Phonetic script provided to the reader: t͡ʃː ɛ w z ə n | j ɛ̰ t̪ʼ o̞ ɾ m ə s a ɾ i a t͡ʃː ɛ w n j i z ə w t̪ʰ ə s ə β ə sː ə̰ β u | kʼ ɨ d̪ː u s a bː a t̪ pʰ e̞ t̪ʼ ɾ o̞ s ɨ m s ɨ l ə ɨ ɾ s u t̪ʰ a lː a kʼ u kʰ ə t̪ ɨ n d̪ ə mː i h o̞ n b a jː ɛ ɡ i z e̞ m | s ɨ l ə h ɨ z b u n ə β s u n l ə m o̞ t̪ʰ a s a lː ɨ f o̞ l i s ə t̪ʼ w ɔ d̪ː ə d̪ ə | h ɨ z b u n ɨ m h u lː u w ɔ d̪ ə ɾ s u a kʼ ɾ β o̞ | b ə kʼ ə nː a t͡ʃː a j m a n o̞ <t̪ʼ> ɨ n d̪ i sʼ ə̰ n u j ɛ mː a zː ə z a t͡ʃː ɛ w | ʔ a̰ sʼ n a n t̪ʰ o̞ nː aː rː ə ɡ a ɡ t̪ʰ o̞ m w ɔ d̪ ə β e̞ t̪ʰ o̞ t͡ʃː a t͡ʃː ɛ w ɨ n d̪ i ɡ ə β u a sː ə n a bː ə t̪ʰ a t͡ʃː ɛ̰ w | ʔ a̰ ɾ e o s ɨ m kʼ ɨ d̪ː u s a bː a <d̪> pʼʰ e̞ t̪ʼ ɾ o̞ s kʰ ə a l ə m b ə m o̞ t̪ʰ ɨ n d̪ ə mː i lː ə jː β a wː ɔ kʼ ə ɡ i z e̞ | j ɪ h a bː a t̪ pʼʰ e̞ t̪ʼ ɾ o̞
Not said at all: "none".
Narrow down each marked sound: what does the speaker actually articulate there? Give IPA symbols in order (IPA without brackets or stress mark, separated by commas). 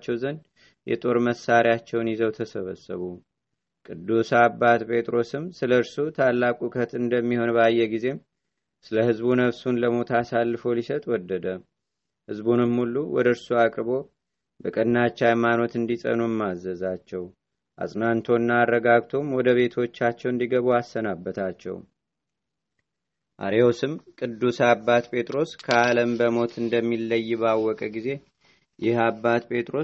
t̪, t̪